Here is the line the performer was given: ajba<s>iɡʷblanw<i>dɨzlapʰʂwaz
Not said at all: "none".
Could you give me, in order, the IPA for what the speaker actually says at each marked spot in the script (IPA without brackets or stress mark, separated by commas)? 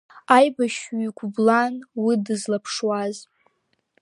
ʃ, i